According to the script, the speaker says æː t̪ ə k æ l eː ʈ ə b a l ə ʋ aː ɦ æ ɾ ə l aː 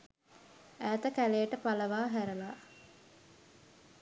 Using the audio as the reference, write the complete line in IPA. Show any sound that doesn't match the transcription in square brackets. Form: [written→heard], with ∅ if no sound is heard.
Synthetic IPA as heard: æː t̪ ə k æ l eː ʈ ə [b→p] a l ə ʋ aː ɦ æ ɾ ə l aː